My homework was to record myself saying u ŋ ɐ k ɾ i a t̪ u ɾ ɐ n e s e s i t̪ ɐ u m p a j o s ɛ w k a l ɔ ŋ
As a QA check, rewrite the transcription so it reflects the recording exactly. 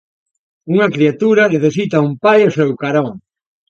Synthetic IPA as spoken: u ŋ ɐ k ɾ i a t̪ u ɾ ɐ n e θ e s i t̪ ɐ u m p a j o s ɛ w k a ɾ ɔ ŋ